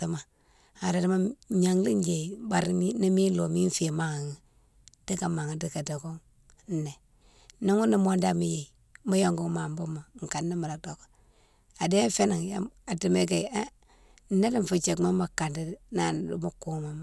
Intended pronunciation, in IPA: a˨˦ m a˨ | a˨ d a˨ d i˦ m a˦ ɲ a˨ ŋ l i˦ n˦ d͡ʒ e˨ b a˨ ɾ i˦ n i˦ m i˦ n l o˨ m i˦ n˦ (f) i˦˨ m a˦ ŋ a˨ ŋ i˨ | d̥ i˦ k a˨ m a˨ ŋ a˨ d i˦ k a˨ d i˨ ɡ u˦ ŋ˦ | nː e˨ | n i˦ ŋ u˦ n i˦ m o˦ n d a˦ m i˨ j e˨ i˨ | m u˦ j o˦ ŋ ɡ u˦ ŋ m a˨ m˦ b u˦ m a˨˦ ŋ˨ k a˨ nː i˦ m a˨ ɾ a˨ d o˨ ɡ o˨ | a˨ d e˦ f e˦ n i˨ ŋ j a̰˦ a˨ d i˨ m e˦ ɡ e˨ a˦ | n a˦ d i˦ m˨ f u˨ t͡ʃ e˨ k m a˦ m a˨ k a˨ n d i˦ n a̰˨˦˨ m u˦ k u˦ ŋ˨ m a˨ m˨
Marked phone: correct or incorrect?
correct